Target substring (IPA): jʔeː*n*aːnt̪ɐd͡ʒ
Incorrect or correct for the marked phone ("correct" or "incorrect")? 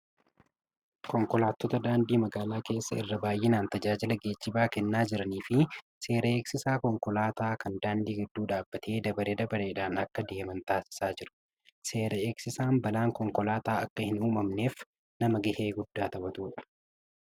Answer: correct